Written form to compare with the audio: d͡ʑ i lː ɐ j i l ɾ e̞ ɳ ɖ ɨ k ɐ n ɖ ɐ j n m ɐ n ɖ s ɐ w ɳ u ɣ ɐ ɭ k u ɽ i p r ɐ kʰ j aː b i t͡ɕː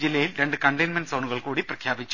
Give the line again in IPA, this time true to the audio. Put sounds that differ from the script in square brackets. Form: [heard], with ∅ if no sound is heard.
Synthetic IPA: d͡ʑ i lː ɐ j i l ɾ e̞ ɳ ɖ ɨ k ɐ [ɳ] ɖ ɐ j n m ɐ n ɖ s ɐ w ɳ u ɣ ɐ ɭ k [uː] ɽ i p r ɐ kʰ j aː b i t͡ɕː